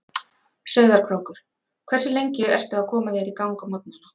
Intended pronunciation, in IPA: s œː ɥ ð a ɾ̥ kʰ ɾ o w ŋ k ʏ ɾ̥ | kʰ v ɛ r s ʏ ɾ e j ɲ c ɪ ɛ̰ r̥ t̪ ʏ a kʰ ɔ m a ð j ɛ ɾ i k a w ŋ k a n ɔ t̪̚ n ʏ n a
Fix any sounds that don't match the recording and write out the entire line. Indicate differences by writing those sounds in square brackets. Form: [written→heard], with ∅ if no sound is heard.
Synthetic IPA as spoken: s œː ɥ ð a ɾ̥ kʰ ɾ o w ŋ k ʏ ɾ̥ | kʰ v ɛ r s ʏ [ɾ→l] e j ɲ c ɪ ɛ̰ r̥ t̪ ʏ a kʰ [ɔ→ɔː] m a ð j ɛ ɾ i k a w ŋ k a [n→m] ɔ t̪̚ n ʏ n a